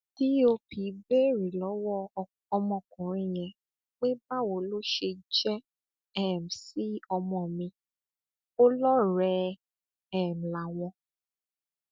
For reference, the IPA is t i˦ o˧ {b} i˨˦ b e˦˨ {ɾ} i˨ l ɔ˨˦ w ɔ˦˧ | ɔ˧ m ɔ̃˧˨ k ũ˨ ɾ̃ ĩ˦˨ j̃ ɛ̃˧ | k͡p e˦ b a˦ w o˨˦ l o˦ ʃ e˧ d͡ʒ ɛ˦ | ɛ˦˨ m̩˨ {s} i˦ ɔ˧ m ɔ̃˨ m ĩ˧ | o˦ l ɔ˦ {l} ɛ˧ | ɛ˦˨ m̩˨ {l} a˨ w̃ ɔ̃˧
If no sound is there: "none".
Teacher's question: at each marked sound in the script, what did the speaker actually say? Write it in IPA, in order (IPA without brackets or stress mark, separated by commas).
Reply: p, ɾ, s, ɾ, l